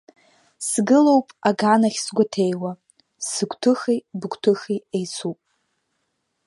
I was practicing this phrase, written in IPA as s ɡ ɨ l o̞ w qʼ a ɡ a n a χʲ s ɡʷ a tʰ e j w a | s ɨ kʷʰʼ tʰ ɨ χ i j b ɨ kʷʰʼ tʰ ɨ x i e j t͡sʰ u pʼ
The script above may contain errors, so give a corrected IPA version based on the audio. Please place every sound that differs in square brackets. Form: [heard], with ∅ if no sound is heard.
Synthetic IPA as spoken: s ɡ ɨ l o̞ w [pʼ] a ɡ a n a χʲ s ɡʷ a tʰ e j w a | s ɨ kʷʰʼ tʰ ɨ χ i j b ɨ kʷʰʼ tʰ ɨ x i e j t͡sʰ u pʼ